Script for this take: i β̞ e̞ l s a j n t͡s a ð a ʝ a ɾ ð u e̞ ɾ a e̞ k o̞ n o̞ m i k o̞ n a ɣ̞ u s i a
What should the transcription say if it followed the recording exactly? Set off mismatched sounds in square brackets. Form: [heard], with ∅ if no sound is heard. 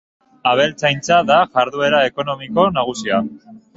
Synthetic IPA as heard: [a] β̞ e̞ l [t͡s] a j n t͡s a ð a ʝ a ɾ ð u e̞ ɾ a e̞ k o̞ n o̞ m i k o̞ n a ɣ̞ u s i a